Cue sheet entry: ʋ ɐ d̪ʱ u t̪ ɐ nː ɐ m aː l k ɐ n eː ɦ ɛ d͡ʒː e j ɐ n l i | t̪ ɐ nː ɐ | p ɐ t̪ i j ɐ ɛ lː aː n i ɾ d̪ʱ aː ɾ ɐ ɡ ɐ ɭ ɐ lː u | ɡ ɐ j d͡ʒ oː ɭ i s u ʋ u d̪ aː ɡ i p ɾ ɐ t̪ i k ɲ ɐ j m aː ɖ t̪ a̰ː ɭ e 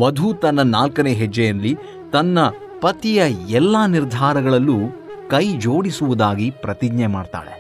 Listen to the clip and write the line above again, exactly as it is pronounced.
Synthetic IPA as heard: ʋ ɐ d̪ʱ u t̪ ɐ nː ɐ n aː l k ɐ n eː ɦ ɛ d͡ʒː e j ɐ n l i | t̪ ɐ nː ɐ | p ɐ t̪ i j ɐ ɛ lː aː n i ɾ d̪ʱ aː ɾ ɐ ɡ ɐ ɭ ɐ lː u | k ɐ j d͡ʒ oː ɽ i s u ʋ u d̪ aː ɡ i p ɾ ɐ t̪ i ɡ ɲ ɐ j m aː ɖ t̪ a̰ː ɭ e